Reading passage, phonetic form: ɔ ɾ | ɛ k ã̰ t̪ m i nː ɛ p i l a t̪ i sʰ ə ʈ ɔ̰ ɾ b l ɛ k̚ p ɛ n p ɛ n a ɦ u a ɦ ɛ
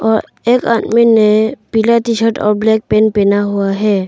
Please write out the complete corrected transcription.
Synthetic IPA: ɔ ɾ | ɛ k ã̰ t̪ m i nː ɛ p i l a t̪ i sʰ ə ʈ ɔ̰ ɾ b l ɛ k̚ p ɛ n p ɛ n a ɦ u a ɦ ɛ